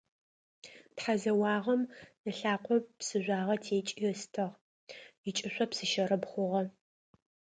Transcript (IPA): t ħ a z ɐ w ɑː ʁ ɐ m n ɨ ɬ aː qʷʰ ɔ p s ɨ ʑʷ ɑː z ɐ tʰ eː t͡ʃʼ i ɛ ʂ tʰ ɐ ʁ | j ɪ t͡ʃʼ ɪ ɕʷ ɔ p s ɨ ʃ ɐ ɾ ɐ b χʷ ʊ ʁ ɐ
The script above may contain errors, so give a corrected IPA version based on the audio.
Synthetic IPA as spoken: t ħ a z ɐ w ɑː ʁ ɐ m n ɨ ɬ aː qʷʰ ɔ p s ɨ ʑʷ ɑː ʁ ɐ tʰ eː t͡ʃʼ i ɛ s tʰ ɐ ʁ | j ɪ t͡ʃʼ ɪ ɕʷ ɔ p s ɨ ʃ ɐ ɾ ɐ b χʷ ʊ ʁ ɐ